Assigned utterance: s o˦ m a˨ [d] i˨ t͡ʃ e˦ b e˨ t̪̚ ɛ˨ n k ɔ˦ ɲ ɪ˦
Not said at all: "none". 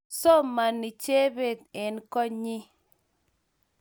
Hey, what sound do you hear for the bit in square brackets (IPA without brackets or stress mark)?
n